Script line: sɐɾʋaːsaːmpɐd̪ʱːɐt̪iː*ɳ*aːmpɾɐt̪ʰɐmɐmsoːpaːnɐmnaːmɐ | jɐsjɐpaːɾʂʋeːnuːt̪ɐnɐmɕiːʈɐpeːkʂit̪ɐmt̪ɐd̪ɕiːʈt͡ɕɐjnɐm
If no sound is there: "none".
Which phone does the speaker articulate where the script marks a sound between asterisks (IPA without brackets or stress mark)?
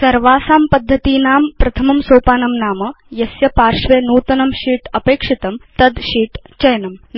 n